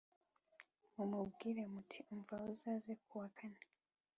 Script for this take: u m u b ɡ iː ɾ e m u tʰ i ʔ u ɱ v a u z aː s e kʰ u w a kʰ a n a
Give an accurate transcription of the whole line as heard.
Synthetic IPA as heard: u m u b ɡ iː ɾ e m u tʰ i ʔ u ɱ v a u z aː z e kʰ u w a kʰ a n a